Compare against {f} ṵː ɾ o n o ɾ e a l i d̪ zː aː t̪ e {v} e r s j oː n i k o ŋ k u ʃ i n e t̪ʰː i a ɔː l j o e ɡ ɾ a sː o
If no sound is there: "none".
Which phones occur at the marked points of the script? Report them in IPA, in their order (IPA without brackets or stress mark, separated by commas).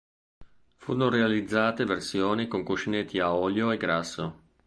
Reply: f, v